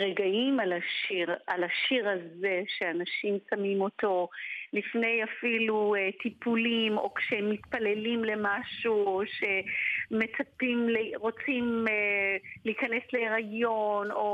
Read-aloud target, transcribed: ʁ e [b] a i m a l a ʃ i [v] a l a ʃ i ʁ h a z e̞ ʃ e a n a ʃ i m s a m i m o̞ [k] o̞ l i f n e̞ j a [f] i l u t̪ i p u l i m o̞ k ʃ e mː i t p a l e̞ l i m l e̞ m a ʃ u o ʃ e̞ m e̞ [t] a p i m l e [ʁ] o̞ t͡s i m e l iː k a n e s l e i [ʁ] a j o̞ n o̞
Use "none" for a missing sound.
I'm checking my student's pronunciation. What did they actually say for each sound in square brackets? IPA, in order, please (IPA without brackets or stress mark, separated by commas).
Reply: ɡ, ʁ, t, f, t͡s, ʁ, ʁ